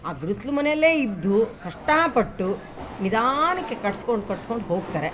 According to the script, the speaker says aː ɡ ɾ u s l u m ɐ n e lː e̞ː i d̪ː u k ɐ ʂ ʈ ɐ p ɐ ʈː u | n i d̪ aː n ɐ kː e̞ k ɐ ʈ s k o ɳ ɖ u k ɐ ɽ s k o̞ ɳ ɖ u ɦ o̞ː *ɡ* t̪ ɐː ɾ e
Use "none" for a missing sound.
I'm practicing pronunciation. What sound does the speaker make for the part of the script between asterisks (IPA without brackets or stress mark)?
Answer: ɡ